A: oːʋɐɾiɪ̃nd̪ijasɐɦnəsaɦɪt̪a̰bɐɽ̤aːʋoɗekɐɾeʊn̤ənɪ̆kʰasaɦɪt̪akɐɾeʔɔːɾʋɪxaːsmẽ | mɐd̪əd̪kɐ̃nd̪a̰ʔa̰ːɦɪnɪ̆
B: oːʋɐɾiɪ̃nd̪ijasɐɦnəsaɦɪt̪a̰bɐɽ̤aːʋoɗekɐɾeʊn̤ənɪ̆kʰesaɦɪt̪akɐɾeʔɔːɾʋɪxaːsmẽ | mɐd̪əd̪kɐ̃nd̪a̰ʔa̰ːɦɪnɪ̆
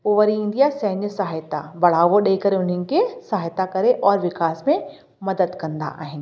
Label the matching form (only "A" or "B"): B